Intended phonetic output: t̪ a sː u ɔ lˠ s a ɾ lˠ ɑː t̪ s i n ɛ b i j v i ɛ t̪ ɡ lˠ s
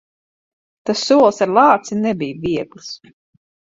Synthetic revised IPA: t̪ a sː u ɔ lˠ s a ɾ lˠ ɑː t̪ s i n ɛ b i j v i ɛ ɡ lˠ s